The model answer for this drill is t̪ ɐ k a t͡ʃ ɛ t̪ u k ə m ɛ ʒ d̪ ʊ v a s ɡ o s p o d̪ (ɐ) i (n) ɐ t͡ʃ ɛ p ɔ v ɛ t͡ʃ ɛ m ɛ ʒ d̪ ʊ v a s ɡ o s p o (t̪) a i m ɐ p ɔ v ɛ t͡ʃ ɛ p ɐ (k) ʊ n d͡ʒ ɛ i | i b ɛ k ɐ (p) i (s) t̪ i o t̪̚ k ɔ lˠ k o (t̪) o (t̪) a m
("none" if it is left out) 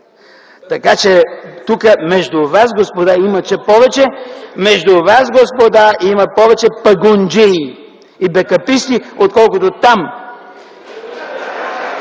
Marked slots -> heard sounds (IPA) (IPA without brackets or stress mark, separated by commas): a, m, d̪, ɡ, p, s, t̪, t̪